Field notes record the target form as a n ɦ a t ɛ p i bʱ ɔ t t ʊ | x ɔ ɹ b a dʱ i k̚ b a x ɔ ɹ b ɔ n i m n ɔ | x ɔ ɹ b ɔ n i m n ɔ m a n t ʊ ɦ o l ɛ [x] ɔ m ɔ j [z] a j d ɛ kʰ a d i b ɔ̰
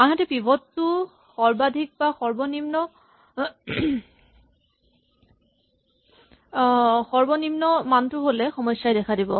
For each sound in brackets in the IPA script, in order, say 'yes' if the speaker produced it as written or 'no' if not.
yes, no

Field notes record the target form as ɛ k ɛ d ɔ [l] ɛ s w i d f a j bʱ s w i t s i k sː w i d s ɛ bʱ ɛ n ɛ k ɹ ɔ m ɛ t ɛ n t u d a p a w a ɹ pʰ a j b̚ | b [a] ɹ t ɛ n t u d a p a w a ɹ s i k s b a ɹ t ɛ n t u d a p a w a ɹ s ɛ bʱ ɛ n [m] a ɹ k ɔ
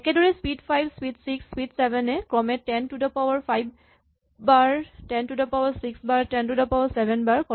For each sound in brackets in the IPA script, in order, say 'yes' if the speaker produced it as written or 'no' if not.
no, yes, no

